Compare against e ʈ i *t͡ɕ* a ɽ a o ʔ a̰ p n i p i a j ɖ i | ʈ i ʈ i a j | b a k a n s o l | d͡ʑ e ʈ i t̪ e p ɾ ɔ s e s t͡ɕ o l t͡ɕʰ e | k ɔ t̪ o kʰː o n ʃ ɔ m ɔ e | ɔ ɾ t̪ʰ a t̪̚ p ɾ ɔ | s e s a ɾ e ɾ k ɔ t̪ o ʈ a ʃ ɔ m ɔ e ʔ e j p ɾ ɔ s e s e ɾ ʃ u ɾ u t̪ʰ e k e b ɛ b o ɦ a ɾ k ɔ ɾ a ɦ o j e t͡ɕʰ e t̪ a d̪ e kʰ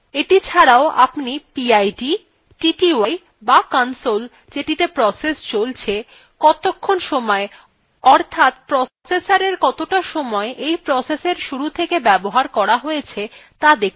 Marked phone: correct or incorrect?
incorrect